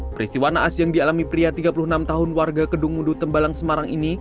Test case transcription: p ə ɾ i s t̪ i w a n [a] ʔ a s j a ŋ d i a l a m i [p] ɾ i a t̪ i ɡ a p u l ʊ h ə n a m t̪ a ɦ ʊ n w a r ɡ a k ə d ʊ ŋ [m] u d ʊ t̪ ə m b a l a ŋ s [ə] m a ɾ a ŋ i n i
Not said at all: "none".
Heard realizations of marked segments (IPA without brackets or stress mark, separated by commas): a, p, m, ə